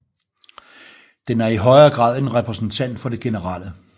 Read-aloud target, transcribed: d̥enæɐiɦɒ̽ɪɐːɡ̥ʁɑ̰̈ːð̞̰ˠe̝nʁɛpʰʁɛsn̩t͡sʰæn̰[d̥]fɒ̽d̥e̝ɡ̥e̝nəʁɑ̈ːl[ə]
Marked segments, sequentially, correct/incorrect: correct, correct

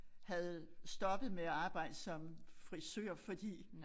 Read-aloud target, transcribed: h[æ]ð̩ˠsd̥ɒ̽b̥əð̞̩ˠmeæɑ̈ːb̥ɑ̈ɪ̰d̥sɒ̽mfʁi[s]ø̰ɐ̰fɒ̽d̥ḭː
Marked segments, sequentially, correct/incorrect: correct, correct

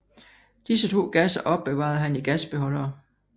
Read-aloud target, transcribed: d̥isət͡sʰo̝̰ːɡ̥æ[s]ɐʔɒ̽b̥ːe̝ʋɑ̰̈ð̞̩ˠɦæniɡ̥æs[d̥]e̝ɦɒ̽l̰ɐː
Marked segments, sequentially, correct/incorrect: correct, incorrect: b̥

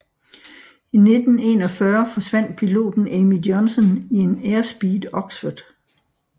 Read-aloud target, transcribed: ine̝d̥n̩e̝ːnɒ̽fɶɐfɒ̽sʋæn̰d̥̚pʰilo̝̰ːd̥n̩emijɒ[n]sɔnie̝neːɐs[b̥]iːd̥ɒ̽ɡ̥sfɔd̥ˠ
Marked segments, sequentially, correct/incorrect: correct, correct

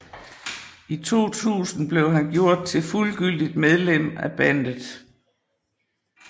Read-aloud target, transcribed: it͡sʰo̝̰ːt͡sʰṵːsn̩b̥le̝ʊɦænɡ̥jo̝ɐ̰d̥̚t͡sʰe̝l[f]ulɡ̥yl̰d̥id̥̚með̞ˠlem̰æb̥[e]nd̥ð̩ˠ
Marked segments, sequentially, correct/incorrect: correct, incorrect: æ

